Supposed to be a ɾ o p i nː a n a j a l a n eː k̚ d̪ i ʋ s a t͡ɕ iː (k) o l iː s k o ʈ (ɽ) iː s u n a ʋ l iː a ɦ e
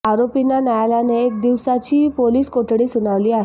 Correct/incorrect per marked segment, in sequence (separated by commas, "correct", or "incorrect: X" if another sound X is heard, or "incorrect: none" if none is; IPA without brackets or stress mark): incorrect: p, correct